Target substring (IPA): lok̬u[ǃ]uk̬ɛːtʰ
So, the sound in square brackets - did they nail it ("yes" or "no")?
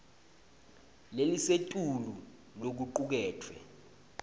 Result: yes